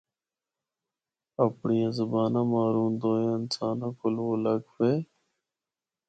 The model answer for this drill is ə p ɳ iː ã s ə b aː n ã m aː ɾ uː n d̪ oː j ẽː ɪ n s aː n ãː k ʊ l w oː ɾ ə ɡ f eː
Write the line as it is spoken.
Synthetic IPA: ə p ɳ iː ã z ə b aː n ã m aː ɾ uː n d̪ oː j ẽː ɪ n s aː n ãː k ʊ l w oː l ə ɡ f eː